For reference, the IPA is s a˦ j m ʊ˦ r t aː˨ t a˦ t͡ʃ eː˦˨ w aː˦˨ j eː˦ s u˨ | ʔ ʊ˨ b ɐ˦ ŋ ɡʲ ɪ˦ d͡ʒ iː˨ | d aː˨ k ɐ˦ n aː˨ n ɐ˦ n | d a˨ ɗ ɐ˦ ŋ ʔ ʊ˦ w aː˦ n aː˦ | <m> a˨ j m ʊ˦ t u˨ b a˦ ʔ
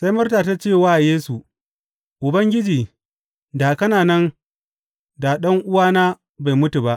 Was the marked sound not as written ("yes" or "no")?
yes